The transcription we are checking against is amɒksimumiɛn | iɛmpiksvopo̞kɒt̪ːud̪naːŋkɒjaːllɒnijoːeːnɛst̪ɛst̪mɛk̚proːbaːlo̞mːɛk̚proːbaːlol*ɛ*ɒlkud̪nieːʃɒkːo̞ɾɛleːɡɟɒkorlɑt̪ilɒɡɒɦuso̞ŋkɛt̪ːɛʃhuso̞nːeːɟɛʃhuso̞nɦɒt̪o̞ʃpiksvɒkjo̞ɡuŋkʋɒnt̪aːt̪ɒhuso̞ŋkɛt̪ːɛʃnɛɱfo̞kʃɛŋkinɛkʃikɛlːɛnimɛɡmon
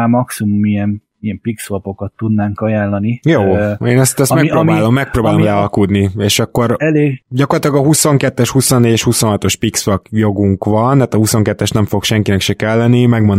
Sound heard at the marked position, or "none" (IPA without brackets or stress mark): ɛ